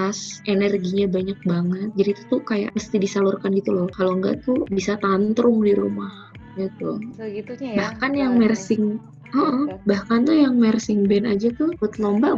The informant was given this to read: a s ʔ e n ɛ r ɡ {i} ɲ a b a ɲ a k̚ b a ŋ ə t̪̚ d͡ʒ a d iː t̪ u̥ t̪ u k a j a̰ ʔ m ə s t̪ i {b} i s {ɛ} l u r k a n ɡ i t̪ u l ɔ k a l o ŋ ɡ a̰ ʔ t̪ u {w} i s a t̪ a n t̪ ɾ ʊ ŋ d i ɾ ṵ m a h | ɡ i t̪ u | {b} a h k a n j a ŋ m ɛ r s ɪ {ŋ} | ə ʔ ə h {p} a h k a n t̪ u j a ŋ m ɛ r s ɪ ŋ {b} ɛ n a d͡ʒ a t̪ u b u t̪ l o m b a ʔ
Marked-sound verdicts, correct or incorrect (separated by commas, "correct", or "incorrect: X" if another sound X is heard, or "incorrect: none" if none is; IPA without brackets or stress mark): correct, incorrect: d, incorrect: a, incorrect: b, correct, correct, incorrect: b, correct